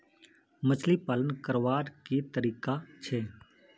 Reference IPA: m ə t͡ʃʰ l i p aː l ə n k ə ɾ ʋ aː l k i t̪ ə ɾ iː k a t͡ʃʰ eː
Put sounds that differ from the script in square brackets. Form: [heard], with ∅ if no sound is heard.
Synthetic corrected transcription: m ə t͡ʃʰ l i p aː l ə n k ə ɾ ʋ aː [ɾ] k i t̪ ə ɾ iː k a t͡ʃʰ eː